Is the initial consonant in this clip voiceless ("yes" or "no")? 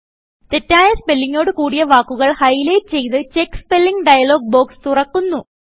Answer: yes